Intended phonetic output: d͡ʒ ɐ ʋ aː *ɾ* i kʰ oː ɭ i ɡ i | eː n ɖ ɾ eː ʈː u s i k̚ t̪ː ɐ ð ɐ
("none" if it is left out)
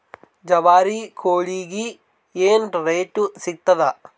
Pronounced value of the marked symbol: ɾ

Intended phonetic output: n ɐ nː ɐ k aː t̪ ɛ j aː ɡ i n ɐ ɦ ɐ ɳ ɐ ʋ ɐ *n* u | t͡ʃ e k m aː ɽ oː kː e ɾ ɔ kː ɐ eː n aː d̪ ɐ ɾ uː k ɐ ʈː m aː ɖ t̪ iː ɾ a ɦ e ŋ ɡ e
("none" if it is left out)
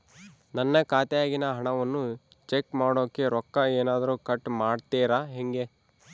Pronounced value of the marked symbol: nː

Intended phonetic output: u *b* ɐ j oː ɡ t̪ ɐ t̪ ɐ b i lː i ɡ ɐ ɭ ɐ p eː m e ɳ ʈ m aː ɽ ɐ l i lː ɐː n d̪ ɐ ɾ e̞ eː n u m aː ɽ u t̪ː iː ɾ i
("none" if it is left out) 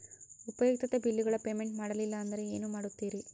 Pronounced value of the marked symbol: p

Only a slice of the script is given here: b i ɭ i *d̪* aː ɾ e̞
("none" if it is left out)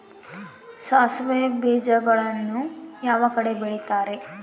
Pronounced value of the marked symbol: t̪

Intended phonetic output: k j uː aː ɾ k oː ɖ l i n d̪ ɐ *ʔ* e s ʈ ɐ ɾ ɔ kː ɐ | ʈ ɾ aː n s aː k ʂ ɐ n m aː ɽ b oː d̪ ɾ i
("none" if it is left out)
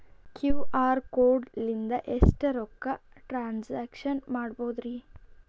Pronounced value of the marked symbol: ʔ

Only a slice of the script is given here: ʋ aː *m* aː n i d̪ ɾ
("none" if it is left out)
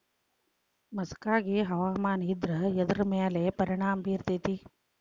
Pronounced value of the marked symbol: m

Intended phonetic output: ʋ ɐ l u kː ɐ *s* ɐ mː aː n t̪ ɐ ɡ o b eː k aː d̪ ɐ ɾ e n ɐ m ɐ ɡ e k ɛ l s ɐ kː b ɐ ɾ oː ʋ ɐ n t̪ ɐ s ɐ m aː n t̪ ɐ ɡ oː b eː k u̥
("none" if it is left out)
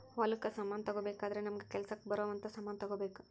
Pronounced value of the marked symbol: s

